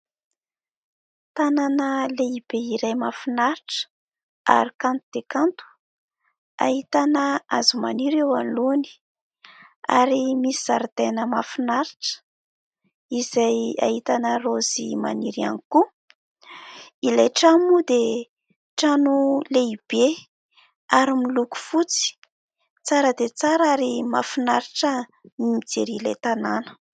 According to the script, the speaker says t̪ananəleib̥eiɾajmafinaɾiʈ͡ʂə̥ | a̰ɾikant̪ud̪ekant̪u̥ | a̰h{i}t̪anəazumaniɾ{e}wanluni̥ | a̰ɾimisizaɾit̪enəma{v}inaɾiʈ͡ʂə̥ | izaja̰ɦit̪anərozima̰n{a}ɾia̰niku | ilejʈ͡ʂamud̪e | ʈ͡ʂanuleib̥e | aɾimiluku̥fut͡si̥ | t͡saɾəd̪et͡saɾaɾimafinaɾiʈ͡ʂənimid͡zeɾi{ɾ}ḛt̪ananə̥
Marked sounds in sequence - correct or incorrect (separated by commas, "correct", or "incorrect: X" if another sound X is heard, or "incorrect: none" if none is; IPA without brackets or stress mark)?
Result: correct, correct, incorrect: f, incorrect: i, incorrect: l